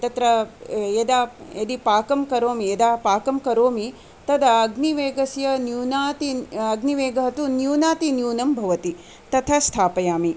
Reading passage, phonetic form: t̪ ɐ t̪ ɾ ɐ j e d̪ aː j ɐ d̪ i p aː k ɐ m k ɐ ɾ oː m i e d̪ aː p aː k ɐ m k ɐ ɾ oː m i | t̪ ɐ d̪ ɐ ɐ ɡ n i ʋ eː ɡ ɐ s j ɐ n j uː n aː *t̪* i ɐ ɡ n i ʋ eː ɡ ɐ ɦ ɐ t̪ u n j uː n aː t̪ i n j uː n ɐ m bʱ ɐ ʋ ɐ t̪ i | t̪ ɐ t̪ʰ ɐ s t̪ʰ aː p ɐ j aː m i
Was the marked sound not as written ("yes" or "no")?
no